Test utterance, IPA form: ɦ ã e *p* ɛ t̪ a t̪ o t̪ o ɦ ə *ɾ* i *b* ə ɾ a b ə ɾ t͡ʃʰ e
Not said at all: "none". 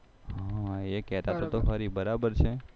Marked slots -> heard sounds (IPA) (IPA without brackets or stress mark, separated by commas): k, ɾ, b